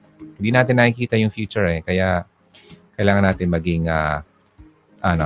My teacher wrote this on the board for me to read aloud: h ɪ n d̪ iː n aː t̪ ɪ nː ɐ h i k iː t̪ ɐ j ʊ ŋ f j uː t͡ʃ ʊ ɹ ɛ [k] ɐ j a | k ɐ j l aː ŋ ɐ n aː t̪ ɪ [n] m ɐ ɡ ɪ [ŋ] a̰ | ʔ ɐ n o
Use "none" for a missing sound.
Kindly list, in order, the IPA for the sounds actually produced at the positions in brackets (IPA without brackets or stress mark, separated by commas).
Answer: k, n, ŋ